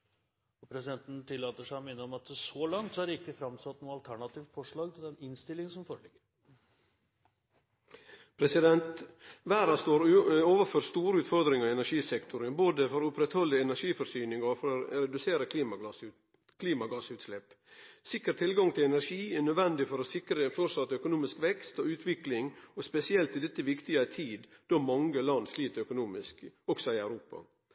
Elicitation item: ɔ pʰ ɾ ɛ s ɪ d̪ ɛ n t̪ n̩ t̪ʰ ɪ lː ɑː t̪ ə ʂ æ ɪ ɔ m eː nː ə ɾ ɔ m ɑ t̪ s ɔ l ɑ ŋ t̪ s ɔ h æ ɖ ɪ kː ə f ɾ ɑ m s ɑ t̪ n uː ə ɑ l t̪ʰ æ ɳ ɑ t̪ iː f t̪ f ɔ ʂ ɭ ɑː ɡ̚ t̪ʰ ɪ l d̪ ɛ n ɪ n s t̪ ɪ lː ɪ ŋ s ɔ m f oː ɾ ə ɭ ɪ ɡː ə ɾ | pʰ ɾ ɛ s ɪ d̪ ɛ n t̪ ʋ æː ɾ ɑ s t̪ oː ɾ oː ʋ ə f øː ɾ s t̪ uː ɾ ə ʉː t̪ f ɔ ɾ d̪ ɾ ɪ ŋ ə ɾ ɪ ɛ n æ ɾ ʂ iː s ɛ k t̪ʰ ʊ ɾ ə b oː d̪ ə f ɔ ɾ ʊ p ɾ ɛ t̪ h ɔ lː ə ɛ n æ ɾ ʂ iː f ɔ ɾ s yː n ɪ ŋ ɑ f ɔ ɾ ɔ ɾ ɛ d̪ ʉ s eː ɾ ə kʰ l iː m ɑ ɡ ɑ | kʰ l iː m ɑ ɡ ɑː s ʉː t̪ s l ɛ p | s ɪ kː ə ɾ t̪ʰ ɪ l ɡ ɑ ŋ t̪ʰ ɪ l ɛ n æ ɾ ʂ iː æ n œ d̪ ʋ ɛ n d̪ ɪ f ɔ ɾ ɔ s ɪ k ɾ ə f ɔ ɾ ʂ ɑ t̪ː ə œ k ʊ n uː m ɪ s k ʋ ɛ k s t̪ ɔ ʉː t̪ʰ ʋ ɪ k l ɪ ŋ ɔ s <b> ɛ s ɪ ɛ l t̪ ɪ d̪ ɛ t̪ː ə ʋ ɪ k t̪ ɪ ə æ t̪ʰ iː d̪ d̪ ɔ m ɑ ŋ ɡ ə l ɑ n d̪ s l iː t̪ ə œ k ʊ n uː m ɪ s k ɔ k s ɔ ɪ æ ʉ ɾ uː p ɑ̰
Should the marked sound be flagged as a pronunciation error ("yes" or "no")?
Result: yes